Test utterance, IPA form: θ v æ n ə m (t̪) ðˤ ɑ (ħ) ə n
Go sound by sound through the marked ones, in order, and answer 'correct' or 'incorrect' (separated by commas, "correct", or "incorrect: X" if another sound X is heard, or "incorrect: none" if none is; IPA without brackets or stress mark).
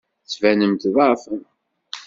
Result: correct, incorrect: f